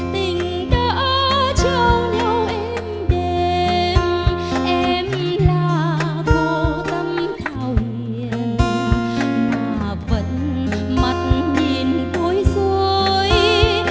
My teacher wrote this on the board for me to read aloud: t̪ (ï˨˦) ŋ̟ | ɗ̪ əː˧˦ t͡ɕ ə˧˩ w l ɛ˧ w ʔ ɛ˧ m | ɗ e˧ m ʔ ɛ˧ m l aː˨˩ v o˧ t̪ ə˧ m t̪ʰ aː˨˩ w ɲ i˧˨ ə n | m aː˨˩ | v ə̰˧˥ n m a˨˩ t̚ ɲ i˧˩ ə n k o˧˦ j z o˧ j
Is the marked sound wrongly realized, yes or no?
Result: yes